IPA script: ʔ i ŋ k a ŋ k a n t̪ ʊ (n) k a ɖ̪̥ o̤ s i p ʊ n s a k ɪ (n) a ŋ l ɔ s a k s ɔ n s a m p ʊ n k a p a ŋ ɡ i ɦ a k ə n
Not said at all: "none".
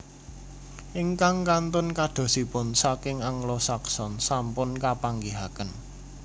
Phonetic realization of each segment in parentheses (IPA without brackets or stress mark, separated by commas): n, ŋ